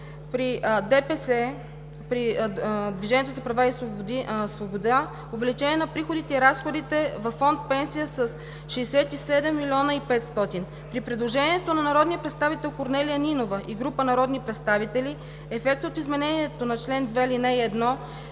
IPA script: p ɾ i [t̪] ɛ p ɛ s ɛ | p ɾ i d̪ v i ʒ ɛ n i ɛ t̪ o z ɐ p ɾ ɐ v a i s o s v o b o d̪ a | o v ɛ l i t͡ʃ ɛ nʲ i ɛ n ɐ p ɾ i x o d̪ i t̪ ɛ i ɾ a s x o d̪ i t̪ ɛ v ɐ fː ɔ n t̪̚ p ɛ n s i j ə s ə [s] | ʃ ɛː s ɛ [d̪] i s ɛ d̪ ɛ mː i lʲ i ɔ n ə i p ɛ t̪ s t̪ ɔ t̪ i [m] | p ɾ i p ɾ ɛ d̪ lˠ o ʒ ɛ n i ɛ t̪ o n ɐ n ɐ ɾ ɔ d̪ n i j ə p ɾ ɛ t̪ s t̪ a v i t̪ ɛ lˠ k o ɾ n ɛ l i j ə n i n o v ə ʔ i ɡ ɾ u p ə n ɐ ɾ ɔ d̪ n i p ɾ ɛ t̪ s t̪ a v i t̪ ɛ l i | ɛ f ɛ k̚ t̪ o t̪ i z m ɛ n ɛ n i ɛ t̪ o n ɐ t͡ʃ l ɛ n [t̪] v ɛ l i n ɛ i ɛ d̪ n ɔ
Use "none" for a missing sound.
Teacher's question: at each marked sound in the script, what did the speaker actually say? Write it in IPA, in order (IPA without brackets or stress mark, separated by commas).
d̪, s, t̪, n, d̪